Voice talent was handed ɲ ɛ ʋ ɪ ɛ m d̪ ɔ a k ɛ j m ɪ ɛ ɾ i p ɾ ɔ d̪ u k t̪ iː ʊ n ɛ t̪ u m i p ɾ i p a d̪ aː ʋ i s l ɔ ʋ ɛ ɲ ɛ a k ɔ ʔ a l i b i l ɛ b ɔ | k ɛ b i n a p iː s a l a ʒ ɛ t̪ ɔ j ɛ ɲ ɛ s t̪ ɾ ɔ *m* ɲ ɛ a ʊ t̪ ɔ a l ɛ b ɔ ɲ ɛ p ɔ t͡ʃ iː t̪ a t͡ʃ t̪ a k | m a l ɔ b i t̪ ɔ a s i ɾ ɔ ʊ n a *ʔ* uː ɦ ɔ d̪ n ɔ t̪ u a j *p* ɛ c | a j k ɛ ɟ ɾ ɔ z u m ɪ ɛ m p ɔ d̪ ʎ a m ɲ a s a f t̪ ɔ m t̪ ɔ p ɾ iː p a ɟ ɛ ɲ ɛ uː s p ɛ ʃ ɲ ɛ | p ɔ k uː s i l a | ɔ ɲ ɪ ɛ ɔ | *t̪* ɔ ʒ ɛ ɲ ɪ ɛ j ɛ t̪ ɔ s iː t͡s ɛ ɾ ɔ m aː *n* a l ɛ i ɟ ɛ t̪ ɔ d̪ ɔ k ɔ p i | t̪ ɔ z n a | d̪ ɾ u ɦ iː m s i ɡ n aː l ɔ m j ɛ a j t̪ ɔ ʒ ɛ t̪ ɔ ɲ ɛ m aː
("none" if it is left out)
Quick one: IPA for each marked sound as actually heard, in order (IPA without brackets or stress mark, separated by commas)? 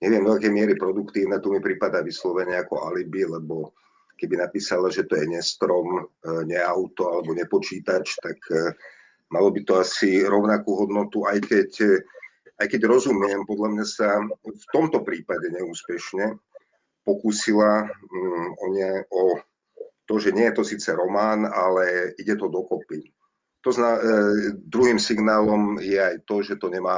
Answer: m, k, k, t̪, n